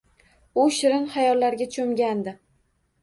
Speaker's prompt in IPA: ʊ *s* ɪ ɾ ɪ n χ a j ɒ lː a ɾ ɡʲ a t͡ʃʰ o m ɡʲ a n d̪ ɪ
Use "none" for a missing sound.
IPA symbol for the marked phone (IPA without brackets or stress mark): ʃ